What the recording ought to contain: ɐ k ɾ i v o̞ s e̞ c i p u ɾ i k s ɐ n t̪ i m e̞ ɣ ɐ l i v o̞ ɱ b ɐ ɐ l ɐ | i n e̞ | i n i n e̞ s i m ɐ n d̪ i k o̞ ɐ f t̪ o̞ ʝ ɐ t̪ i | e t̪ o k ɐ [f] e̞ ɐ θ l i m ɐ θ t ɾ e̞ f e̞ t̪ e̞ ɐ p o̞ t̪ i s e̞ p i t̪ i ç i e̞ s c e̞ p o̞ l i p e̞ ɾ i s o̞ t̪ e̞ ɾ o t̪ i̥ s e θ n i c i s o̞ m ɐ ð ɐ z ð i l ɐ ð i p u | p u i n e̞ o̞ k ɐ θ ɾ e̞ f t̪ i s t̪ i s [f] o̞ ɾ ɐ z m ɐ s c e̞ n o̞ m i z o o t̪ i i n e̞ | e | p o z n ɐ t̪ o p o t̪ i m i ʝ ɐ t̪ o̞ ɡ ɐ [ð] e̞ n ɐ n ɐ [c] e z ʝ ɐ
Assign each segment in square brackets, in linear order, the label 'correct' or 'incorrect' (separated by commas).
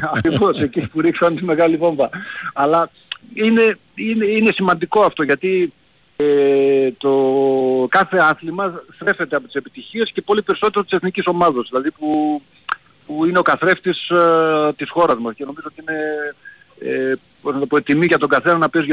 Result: incorrect, incorrect, incorrect, incorrect